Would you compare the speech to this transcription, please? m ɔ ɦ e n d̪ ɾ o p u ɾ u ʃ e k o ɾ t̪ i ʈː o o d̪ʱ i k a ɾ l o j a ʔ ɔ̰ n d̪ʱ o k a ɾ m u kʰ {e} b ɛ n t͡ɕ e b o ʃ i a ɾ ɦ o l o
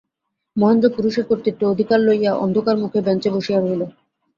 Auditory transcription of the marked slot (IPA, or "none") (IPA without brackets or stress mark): e